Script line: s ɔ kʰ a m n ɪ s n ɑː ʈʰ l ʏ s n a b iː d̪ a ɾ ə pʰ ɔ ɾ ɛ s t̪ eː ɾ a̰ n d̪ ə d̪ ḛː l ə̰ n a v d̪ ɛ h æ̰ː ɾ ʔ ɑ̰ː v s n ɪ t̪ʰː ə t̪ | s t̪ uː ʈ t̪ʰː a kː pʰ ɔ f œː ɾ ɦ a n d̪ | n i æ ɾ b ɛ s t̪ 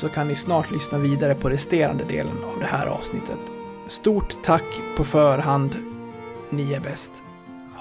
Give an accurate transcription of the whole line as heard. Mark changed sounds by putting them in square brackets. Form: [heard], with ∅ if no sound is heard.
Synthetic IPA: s ɔ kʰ a [n] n ɪ s n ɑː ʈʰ l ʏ s n a [v] iː d̪ a ɾ ə pʰ ɔ ɾ ɛ s t̪ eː ɾ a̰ n d̪ ə d̪ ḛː l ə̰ n a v d̪ ɛ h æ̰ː ɾ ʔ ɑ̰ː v s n ɪ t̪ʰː ə t̪ | s t̪ uː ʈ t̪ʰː a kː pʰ ɔ f œː ɾ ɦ a n d̪ | n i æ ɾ b ɛ s t̪